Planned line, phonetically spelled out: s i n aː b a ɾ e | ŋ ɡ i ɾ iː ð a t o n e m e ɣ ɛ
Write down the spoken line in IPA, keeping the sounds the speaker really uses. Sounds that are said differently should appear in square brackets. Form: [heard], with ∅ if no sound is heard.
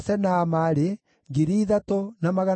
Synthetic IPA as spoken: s [ɛ] n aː [m] a ɾ e | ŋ ɡ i ɾ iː ð a t o n [a] m [a] ɣ [a]